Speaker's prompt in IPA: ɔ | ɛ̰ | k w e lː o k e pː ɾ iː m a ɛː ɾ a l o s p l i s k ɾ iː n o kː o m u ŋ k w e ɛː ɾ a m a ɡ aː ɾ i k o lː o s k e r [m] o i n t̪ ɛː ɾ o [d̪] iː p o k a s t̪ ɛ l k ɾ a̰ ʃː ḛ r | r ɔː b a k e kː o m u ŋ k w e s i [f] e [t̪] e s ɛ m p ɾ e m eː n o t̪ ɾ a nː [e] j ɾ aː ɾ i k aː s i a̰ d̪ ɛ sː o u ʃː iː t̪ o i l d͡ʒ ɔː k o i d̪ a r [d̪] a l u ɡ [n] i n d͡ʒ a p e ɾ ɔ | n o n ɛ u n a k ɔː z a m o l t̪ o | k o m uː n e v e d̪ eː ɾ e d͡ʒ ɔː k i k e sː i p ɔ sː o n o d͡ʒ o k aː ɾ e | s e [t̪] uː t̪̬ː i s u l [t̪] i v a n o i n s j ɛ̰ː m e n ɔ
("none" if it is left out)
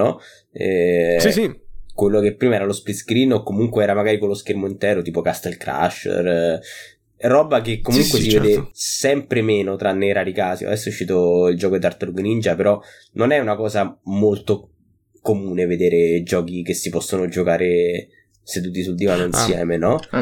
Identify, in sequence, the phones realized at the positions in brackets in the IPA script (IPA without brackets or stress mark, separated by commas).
m, t̪, v, d̪, e, t̪, n, d̪, d̪